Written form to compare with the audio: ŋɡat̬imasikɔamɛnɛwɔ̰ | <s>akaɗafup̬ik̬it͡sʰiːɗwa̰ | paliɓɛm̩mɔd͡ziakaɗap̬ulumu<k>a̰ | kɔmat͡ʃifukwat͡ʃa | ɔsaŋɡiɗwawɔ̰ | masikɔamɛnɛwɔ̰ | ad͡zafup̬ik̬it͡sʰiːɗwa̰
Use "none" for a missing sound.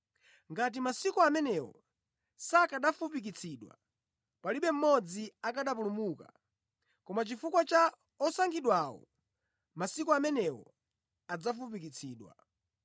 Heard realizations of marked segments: s, k

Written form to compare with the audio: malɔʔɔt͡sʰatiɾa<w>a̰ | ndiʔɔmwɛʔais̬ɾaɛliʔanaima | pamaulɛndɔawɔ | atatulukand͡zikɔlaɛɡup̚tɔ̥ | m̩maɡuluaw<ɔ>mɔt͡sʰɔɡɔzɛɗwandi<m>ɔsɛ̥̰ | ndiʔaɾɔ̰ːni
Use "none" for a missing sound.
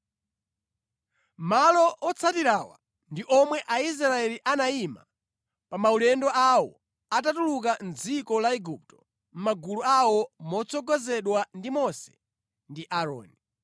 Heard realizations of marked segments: w, ɔ, m

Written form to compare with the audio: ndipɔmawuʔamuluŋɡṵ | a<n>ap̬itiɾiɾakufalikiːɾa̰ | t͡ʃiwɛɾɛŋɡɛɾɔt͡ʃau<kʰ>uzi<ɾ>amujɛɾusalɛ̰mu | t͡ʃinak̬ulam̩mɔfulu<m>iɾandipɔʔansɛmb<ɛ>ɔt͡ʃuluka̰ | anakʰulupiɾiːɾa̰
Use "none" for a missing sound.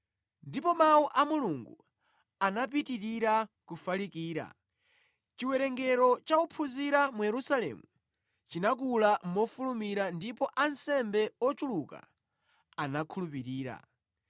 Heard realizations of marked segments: n, pʰ, ɾ, m, ɛ

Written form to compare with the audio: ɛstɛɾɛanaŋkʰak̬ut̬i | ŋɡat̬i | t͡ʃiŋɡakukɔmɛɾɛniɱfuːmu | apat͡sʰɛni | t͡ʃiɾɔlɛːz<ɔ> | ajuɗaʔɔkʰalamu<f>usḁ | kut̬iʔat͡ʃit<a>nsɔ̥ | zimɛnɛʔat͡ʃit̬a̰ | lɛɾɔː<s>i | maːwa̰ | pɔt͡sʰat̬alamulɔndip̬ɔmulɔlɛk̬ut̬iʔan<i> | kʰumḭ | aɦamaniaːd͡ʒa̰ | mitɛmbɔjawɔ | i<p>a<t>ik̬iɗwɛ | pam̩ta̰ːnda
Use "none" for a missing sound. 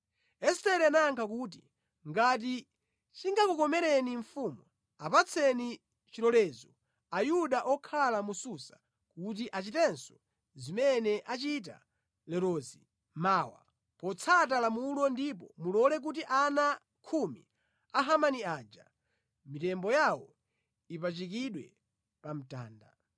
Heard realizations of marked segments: ɔ, s, ɛ, z, a, p, t͡ʃ

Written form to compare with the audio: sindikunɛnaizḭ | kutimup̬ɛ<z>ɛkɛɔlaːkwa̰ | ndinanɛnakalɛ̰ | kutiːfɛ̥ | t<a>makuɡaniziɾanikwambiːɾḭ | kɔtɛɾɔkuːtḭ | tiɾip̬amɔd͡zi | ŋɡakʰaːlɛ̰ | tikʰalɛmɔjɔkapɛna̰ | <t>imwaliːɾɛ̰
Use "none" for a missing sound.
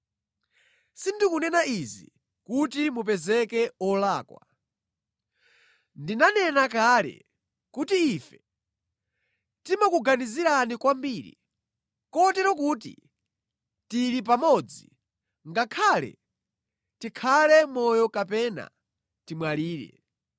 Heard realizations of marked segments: z, i, t

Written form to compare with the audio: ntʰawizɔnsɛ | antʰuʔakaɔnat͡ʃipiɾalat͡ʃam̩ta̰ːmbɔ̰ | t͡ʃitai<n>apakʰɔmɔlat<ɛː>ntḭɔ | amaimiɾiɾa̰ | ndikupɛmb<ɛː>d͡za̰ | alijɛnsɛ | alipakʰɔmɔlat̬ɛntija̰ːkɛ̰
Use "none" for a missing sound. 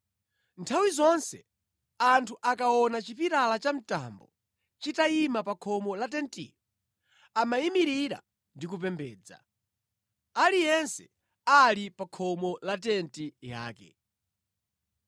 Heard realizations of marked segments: m, ɛ, ɛː

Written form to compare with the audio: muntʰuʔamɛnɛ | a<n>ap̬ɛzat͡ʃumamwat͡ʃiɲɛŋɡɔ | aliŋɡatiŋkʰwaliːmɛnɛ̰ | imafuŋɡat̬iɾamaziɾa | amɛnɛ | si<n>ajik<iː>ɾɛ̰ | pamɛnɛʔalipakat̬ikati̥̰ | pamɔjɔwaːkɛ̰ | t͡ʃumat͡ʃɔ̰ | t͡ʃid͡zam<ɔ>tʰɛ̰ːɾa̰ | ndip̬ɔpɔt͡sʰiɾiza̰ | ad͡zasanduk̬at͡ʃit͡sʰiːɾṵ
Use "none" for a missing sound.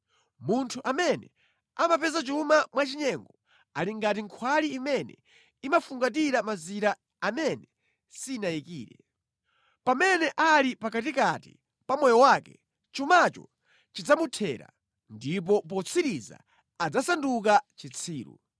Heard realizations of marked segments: m, n, iː, u

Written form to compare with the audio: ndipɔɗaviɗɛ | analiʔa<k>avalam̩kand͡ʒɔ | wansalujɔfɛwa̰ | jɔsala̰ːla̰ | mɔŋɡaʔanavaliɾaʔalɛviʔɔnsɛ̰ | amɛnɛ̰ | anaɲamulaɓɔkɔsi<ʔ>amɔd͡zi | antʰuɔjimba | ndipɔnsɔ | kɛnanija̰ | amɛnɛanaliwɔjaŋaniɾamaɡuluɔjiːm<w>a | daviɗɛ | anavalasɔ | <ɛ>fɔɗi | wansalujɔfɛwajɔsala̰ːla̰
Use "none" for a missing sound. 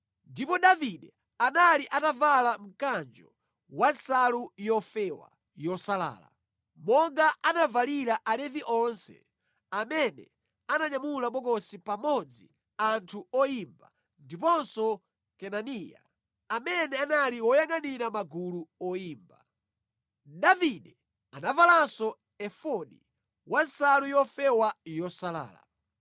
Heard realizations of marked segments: t, p, b, ɛ

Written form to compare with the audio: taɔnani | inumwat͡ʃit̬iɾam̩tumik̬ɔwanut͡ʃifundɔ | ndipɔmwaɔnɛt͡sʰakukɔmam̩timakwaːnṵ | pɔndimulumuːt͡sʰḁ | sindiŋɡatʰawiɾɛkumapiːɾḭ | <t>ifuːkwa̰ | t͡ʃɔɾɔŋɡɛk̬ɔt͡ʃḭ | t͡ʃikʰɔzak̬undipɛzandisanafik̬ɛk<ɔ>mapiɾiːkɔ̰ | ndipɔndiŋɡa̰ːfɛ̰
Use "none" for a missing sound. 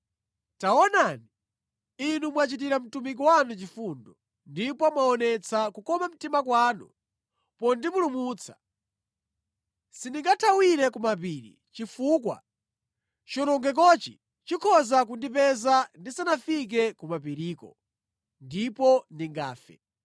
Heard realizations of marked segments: t͡ʃ, u

